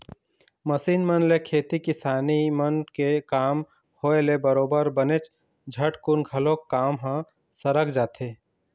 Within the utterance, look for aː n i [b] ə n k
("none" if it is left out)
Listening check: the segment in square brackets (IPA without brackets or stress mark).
m